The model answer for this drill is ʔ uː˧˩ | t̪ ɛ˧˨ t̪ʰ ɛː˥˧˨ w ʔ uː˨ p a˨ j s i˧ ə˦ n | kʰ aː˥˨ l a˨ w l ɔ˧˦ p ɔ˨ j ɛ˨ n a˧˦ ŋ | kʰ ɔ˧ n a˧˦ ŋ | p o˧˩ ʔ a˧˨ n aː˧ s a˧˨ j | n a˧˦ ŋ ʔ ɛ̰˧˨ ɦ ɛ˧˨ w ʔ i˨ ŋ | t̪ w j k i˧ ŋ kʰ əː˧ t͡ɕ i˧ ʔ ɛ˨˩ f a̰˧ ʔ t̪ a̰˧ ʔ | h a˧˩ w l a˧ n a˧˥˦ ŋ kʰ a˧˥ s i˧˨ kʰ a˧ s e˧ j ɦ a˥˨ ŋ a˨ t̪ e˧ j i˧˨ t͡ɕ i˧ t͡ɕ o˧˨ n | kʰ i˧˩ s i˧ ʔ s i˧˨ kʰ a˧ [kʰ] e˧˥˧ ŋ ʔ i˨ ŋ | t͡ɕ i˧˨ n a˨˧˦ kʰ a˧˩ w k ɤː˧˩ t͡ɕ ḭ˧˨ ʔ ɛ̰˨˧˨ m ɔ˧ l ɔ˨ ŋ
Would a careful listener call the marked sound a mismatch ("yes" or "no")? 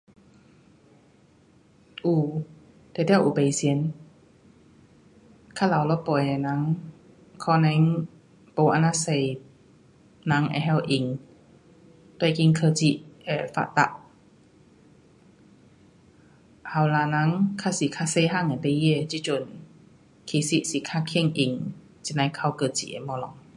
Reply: no